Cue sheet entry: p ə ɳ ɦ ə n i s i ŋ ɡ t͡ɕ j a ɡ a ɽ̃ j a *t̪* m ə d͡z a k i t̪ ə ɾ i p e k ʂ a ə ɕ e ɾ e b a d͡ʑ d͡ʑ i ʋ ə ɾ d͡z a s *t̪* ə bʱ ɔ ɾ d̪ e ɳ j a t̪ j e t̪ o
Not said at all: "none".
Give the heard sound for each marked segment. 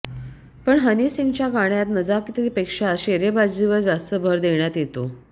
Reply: t̪, t̪

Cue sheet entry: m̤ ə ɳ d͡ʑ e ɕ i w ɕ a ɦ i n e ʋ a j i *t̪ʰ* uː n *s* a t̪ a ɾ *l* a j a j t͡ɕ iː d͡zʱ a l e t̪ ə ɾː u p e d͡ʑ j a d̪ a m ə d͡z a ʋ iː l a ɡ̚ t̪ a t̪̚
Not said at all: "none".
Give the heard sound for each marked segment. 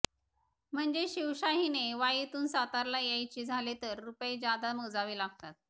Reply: t̪, s, l

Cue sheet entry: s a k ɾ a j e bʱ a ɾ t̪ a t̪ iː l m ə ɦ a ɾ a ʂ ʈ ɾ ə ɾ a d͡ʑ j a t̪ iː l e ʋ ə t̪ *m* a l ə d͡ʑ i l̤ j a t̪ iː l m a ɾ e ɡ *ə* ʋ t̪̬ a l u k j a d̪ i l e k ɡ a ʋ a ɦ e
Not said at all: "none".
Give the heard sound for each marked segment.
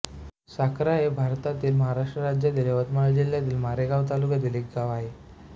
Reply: m, a

